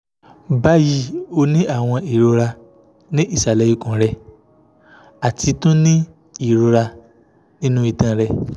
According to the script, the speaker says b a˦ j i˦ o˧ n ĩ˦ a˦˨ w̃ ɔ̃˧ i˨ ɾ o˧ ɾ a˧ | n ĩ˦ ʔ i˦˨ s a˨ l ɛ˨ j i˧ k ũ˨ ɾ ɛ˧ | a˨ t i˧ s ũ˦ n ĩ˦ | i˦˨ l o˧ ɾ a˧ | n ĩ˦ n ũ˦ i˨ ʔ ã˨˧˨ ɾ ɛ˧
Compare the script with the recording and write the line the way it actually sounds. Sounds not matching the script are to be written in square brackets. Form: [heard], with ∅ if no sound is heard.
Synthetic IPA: b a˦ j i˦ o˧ n ĩ˦ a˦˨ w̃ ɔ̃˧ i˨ ɾ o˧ ɾ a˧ | n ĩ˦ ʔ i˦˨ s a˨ l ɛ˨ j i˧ k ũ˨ ɾ ɛ˧ | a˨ t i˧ [t] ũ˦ n ĩ˦ | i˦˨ [ɾ] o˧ ɾ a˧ | n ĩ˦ n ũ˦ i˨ [t] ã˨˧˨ ɾ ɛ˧

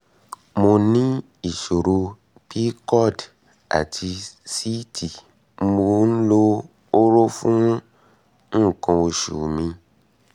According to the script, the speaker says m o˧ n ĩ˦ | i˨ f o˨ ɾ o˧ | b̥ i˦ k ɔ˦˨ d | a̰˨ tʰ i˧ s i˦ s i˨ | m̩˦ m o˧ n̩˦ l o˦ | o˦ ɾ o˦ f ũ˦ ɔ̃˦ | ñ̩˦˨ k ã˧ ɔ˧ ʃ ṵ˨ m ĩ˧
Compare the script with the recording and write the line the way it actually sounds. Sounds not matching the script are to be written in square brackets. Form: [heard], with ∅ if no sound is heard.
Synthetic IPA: m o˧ n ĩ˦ | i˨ [ʃ] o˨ ɾ o˧ | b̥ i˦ k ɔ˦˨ d | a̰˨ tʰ i˧ s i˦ [t] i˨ | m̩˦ m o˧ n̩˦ l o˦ | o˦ ɾ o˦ f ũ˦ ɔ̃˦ | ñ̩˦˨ k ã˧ [o˧] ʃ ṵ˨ m ĩ˧

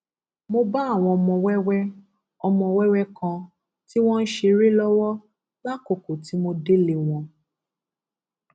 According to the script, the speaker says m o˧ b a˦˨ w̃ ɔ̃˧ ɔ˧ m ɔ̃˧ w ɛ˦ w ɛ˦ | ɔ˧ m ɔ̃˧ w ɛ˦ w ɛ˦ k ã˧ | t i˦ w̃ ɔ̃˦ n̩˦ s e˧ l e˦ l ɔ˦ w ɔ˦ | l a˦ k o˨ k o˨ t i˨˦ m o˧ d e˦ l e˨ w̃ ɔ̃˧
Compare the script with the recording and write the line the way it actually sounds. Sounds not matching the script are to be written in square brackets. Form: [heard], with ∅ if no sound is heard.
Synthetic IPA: m o˧ b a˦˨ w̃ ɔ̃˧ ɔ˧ m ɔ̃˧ w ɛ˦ w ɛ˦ | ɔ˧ m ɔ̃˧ w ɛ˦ w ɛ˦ k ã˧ | t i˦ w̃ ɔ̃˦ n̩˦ [ʃ] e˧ [ɾ] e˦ l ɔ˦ w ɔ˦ | l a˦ k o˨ k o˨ t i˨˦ m o˧ d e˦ l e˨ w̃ ɔ̃˧

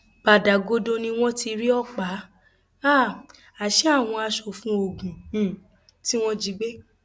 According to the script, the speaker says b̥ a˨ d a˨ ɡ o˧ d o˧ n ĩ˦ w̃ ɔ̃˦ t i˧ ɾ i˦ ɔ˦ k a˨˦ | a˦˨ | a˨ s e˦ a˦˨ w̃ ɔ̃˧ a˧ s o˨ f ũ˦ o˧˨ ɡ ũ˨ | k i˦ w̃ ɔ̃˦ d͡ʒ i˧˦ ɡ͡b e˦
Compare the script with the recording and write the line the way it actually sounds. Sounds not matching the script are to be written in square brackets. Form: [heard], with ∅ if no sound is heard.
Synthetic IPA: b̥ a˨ d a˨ ɡ o˧ d o˧ n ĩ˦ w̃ ɔ̃˦ t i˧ ɾ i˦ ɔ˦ [k͡p] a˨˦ | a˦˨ | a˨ [ʃ] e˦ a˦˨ w̃ ɔ̃˧ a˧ [ʃ] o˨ f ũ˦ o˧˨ ɡ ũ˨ | [t] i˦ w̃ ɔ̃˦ d͡ʒ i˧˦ ɡ͡b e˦

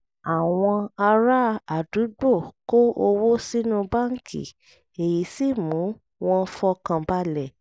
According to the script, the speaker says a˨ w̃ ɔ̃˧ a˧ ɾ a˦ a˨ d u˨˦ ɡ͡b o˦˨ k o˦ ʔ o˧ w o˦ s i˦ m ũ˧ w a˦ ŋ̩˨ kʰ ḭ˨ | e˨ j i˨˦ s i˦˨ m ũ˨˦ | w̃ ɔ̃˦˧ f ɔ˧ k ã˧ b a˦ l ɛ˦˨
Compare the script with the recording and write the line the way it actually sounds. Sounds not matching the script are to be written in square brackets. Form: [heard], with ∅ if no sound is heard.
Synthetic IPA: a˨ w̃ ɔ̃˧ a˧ ɾ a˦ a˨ d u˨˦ ɡ͡b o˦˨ k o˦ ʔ o˧ w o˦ s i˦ [n] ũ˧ [b] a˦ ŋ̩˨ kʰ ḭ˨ | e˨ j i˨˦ s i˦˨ m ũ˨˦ | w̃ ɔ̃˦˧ f ɔ˧ k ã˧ b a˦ l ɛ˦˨

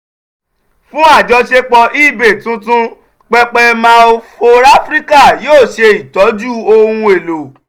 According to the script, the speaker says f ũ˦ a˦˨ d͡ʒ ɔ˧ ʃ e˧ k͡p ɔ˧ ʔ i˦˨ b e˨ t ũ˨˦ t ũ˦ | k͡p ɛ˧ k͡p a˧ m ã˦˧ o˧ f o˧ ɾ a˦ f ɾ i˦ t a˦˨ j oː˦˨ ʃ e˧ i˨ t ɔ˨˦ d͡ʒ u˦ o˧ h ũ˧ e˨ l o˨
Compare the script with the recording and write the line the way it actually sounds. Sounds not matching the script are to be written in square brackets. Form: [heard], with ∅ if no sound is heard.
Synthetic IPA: f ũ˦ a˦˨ d͡ʒ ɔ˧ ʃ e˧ k͡p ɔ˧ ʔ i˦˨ b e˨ t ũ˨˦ t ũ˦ | k͡p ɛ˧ k͡p [ɛ˧] m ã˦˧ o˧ f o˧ ɾ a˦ f ɾ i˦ [k] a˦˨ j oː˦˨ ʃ e˧ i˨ t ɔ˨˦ d͡ʒ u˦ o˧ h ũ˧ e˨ l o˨

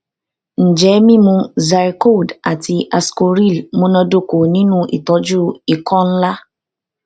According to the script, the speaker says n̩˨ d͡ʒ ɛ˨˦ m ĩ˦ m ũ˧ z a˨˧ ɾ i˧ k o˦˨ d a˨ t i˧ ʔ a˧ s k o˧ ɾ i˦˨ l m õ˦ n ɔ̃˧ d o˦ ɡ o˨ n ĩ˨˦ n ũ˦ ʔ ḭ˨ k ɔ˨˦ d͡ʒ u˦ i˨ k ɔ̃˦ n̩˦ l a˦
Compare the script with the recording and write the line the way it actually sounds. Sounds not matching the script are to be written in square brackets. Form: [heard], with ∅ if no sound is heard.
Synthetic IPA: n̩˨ d͡ʒ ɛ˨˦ m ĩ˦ m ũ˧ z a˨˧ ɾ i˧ k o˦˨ d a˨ t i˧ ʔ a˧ s k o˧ ɾ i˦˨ l m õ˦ n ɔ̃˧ d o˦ [k] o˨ n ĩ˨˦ n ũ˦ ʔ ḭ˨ [t] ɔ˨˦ d͡ʒ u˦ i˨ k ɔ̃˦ n̩˦ l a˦

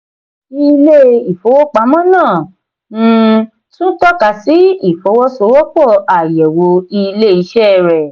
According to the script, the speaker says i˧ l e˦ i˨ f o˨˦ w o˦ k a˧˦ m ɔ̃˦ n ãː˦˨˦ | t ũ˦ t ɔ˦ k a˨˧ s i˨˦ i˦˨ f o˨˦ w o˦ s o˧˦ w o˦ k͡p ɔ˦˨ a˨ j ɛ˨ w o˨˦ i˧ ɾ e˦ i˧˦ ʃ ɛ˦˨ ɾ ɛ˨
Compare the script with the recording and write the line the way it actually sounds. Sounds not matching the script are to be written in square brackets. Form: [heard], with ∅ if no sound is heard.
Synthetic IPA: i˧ l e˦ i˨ f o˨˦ w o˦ [k͡p] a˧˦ m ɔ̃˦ n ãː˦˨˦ | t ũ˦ t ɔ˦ k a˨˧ s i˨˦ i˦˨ f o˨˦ w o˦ s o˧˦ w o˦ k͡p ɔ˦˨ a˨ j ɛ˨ w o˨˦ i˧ [l] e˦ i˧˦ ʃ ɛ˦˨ ɾ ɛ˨

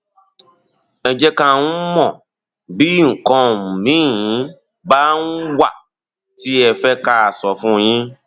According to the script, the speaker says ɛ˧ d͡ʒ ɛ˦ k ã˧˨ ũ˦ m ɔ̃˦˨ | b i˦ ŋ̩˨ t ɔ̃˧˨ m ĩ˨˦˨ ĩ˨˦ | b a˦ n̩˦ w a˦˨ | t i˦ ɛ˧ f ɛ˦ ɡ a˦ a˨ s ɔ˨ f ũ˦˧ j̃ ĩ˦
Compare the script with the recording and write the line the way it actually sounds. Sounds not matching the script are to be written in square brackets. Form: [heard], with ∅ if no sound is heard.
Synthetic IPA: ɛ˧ d͡ʒ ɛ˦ k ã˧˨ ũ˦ m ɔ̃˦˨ | b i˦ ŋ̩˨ [k] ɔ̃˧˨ m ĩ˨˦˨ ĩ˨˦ | b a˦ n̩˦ w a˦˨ | t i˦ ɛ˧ f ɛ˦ [k] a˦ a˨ s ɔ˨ f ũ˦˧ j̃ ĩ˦

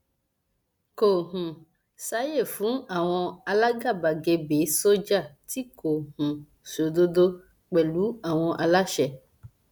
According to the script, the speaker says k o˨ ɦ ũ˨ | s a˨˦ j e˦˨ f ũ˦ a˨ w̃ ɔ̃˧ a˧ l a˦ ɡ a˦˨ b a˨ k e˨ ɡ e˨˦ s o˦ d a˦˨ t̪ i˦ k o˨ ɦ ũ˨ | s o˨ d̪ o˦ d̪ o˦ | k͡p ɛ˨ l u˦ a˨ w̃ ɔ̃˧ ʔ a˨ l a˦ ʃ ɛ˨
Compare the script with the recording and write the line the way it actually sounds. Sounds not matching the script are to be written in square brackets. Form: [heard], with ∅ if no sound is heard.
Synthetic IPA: k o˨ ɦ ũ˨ | s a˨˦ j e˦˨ f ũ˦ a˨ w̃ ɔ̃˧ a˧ l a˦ ɡ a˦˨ b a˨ [ɡ] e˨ [b] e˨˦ s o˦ [d͡ʒ] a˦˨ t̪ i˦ k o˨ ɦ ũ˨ | s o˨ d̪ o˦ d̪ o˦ | k͡p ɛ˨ l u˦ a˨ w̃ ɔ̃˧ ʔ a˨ l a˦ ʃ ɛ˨

